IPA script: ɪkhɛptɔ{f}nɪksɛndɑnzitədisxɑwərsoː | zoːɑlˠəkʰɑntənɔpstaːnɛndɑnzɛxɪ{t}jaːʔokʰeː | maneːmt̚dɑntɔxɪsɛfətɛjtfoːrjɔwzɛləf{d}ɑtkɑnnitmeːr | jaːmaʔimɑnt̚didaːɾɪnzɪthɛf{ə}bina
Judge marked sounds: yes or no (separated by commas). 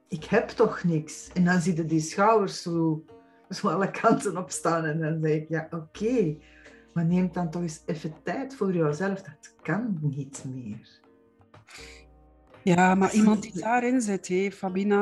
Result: no, no, yes, no